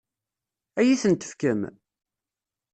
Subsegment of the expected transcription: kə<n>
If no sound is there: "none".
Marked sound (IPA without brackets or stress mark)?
m